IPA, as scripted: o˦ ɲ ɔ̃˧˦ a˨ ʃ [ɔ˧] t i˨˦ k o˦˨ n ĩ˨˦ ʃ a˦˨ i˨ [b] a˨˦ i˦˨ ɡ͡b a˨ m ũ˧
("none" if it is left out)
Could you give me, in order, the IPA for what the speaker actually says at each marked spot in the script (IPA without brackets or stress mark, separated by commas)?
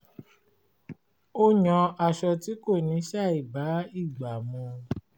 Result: ɔ˧, b